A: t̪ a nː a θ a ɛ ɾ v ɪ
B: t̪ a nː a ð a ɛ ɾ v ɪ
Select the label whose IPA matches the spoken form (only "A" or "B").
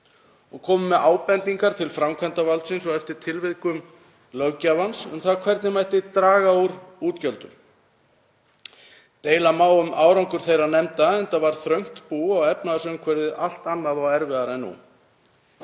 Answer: B